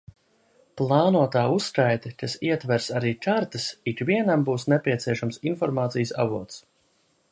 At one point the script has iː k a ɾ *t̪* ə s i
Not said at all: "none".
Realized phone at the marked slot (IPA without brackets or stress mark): t̪